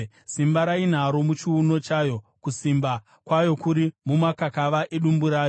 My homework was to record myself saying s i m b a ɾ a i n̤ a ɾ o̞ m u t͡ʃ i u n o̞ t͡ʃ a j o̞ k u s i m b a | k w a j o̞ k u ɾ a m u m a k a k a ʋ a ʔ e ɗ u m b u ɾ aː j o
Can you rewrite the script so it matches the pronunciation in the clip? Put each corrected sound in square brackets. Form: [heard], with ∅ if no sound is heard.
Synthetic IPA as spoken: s i m b a ɾ a i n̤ a ɾ o̞ m u t͡ʃ i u n o̞ t͡ʃ a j o̞ k u s i m b a | k w a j o̞ k u ɾ [i] m u m a k a k a ʋ a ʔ e ɗ u m b u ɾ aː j o